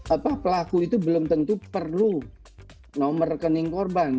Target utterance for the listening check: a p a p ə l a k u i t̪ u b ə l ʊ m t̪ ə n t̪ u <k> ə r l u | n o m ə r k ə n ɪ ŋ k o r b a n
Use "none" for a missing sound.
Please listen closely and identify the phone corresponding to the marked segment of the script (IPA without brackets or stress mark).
p